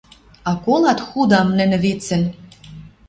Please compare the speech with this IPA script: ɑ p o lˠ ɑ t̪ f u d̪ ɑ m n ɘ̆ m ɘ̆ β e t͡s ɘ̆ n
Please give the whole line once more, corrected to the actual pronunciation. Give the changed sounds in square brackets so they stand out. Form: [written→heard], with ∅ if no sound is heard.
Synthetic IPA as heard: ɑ [p→k] o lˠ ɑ t̪ [f→x] u d̪ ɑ m n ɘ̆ [m→n] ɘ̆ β e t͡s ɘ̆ n